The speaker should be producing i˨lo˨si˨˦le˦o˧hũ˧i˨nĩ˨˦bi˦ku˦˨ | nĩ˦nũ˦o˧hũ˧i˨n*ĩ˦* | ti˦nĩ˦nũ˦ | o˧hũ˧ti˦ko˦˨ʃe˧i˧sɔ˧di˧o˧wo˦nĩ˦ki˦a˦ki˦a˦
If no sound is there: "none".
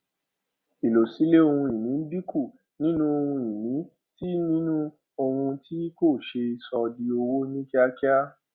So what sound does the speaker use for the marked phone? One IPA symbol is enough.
ĩ˨˦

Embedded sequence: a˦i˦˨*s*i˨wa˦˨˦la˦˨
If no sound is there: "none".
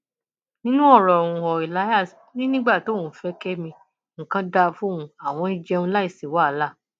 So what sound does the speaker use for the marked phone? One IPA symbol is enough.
s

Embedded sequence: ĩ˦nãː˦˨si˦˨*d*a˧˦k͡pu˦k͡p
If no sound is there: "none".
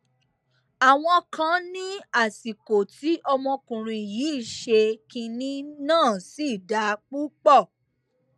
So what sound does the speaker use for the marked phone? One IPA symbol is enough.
d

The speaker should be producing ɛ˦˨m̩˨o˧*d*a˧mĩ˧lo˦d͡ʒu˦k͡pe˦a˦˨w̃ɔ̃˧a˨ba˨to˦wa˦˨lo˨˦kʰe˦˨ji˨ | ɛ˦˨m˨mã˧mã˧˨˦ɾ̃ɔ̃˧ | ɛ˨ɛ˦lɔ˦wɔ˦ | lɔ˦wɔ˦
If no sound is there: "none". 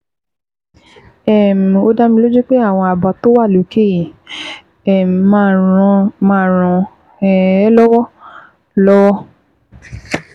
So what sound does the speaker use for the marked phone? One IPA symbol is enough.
d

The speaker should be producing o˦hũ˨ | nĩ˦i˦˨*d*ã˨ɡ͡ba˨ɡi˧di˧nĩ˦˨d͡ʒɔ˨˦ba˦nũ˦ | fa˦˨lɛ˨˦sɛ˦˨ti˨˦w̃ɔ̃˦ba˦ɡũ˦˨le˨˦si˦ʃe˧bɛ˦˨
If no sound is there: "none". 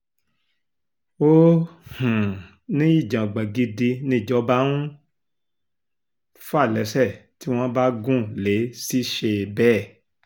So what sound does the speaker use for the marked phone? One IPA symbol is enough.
d͡ʒ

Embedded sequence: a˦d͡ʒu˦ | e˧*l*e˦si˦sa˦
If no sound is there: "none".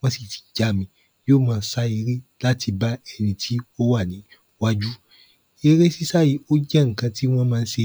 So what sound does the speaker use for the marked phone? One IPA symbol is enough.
ɾ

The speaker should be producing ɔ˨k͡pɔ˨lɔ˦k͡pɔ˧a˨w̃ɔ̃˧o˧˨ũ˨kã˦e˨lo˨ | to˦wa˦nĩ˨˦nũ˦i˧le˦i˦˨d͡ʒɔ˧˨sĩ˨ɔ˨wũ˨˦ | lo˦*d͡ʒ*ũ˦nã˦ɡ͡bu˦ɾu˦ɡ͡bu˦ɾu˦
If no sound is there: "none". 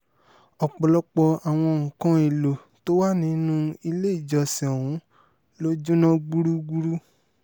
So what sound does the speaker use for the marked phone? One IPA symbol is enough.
d͡ʒ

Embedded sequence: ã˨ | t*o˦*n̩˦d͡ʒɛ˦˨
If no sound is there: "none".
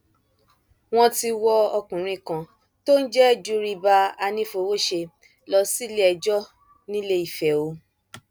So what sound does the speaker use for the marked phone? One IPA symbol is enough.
o˦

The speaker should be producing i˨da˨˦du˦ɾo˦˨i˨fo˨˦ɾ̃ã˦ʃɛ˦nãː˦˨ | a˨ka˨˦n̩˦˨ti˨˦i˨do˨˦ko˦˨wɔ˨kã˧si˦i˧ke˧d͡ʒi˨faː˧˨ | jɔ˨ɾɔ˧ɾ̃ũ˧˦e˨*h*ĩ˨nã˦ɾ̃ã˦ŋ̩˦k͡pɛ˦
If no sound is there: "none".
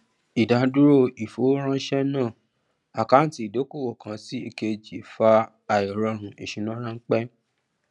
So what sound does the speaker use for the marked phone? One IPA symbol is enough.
ʃ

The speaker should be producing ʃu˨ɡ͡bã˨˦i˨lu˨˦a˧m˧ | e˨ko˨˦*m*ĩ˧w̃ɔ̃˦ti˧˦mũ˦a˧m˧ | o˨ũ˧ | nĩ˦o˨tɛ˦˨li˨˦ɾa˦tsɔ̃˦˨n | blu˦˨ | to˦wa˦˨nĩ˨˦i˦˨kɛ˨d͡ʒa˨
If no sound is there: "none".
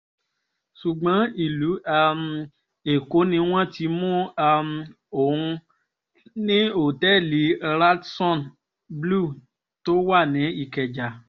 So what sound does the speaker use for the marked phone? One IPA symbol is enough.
n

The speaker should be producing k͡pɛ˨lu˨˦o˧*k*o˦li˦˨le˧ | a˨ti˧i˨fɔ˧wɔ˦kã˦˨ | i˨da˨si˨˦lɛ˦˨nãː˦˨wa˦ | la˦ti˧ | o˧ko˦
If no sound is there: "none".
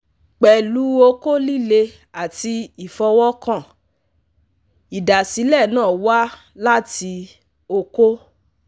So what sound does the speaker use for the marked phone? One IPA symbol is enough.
k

